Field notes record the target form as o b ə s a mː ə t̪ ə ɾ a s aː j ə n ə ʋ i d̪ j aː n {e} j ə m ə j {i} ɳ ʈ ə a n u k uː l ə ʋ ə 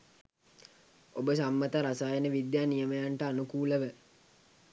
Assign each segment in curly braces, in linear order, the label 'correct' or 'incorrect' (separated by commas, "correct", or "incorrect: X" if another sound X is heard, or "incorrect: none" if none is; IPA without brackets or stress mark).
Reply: incorrect: i, incorrect: a